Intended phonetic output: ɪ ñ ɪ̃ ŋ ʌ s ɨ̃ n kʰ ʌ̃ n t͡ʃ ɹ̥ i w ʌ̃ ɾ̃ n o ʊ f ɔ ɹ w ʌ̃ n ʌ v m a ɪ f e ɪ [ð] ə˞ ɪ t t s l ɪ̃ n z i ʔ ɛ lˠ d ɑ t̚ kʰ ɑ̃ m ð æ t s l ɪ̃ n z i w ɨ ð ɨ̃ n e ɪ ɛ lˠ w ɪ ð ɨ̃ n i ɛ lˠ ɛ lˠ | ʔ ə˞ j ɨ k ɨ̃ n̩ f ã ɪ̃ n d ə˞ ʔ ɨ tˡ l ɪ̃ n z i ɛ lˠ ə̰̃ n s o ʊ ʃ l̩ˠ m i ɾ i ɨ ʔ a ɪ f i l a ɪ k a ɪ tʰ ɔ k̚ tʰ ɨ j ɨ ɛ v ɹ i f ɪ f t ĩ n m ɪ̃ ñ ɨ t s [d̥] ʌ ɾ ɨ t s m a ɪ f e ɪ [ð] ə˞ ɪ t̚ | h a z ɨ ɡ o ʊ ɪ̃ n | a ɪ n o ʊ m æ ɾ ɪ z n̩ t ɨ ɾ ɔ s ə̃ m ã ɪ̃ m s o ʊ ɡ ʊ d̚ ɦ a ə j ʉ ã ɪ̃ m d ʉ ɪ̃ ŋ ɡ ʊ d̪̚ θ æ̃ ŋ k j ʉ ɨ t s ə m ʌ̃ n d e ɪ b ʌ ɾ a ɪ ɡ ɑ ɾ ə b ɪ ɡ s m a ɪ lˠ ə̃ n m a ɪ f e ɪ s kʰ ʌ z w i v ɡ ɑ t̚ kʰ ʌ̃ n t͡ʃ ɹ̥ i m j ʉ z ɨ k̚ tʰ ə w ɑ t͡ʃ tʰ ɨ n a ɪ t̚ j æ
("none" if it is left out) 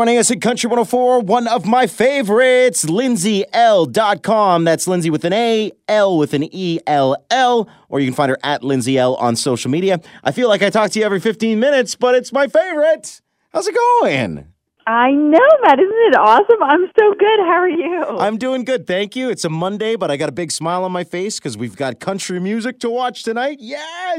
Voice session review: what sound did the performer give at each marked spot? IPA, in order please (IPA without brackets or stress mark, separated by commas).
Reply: v, b̥, v